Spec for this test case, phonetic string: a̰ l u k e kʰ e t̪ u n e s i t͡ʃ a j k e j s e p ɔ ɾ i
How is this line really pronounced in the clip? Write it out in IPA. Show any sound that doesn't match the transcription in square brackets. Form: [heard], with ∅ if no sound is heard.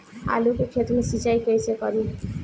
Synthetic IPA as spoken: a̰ l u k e kʰ e t̪ u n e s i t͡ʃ a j k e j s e [k] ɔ ɾ i